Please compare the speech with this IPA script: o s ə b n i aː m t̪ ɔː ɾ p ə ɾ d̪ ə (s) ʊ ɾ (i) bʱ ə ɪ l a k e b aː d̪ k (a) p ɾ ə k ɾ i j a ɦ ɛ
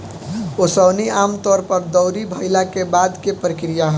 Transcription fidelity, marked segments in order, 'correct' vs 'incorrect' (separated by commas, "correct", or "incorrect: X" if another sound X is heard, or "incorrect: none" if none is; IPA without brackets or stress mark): incorrect: none, correct, incorrect: e